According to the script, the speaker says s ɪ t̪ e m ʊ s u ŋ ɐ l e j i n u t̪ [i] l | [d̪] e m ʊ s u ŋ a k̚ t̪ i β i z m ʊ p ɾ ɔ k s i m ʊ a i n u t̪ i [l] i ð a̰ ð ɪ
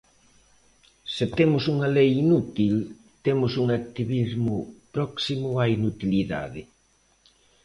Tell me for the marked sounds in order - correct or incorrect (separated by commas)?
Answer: correct, incorrect, correct